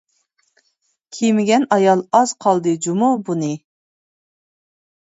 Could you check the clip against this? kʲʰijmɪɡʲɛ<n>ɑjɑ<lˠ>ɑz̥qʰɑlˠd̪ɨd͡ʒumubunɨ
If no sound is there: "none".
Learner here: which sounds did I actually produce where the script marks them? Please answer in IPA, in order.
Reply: n, lˠ

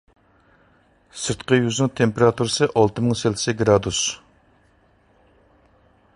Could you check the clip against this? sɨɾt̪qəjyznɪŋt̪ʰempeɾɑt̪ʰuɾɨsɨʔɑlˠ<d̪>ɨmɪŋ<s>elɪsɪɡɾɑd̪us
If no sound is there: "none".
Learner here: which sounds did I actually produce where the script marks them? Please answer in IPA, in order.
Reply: t̪, s

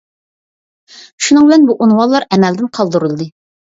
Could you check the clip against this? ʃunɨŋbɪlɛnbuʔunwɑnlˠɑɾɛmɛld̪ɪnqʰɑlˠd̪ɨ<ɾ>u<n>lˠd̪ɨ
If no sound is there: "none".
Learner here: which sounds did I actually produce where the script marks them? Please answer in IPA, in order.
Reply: ɾ, none

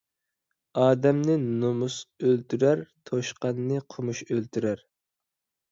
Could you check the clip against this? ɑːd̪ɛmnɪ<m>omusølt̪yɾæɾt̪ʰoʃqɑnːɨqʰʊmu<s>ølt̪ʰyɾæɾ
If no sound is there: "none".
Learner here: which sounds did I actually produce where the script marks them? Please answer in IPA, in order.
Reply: n, ʃ

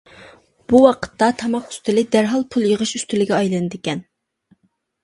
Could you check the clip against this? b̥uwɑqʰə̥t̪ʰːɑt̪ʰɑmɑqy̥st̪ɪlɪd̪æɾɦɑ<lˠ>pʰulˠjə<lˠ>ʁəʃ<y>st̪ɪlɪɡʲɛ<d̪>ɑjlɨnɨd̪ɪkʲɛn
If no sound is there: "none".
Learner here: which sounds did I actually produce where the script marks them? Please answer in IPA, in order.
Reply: lˠ, none, y, none

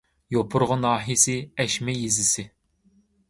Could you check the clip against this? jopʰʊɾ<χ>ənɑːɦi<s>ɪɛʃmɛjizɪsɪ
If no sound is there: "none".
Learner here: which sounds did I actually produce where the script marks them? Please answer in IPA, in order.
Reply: ʁ, s

